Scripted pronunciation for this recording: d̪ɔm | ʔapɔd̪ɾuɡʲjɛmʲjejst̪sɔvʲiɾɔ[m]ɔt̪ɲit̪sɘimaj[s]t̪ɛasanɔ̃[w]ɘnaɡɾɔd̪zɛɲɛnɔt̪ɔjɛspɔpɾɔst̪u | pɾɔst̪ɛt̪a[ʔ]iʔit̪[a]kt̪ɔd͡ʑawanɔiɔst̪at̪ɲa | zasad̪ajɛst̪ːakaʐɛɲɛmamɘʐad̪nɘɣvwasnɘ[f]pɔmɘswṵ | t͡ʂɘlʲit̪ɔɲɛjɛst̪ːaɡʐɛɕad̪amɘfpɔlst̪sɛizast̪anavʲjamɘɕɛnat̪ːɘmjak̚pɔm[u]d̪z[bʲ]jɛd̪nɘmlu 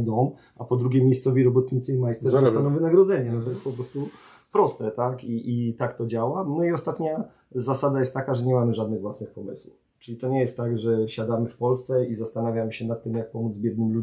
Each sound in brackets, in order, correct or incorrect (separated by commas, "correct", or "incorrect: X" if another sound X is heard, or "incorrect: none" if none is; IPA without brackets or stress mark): incorrect: b, correct, incorrect: v, incorrect: k, correct, incorrect: x, correct, correct